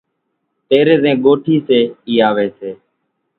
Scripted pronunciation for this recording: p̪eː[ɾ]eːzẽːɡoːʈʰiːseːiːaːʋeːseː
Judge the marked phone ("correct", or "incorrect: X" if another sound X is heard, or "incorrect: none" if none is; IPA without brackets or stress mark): correct